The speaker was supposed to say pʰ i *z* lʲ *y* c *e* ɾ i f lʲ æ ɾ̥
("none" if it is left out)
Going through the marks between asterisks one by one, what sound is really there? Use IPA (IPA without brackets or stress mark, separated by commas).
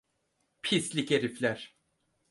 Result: s, i, e